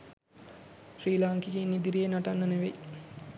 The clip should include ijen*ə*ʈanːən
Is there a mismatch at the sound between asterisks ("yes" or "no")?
yes